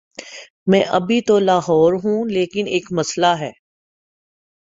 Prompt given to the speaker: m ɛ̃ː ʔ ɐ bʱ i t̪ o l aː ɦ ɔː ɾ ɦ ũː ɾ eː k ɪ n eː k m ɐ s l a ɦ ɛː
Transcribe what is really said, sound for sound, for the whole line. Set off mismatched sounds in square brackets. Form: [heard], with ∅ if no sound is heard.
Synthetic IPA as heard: m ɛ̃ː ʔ ɐ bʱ i t̪ o l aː ɦ ɔː ɾ ɦ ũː [l] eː k ɪ n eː k m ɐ s l a ɦ ɛː